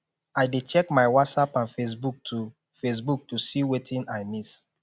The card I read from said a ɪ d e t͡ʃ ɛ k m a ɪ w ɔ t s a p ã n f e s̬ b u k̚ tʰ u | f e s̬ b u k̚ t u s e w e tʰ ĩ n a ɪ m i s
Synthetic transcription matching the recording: a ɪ d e t͡ʃ ɛ k m a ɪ w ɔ t s a p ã n f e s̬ b u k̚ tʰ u | f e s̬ b u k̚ t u s i w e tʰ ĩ n a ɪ m i s